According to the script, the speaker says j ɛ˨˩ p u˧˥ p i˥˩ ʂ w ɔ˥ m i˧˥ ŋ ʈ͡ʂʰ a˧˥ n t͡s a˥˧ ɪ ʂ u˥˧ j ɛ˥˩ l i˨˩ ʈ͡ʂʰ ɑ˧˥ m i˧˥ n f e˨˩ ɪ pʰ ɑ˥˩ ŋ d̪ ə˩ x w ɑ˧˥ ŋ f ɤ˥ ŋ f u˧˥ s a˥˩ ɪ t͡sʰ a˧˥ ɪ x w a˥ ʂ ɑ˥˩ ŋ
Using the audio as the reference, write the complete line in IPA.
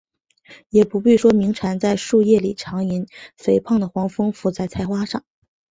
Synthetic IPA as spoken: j ɛ˨˩ p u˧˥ p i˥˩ ʂ w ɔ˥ m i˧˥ ŋ ʈ͡ʂʰ a˧˥ n t͡s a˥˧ ɪ ʂ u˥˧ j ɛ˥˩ l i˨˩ ʈ͡ʂʰ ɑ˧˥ ŋ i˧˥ n f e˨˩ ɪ pʰ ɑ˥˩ ŋ d̪ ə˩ x w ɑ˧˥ ŋ f ɤ˥ ŋ f u˧˥ t͡s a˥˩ ɪ t͡sʰ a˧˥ ɪ x w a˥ ʂ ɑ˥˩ ŋ